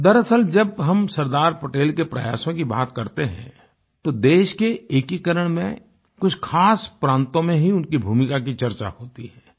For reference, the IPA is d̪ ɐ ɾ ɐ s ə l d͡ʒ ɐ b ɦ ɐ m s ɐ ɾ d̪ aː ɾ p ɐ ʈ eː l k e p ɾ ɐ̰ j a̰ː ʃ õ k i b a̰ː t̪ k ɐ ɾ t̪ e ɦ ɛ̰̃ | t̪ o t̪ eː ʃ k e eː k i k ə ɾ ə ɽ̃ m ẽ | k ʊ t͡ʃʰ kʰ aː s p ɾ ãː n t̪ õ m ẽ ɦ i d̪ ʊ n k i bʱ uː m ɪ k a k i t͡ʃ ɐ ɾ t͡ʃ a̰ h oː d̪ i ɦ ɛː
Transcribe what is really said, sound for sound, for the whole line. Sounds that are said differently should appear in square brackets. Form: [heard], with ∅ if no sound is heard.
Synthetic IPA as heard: d̪ ɐ ɾ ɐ s ə l d͡ʒ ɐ b ɦ ɐ m s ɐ ɾ d̪ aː ɾ p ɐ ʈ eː l k e p ɾ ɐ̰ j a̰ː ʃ õ k i b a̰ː t̪ k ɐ ɾ t̪ e ɦ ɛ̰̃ | t̪ o [d̪] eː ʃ k e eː k i k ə ɾ ə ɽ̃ m ẽ | k ʊ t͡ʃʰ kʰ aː s p ɾ ãː n t̪ õ m ẽ ɦ i [∅] ʊ n k i bʱ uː m ɪ k a k i t͡ʃ ɐ ɾ t͡ʃ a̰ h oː [t̪] i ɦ ɛː